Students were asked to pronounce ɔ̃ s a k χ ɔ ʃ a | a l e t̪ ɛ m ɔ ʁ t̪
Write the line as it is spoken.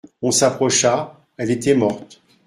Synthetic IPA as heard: ɔ̃ s a p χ ɔ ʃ a | ɛ l e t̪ ɛ m ɔ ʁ t̪